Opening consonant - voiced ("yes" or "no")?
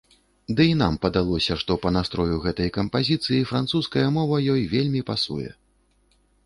yes